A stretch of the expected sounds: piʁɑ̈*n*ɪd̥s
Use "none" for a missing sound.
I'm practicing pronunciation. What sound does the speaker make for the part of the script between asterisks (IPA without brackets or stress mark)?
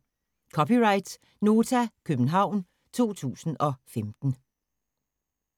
none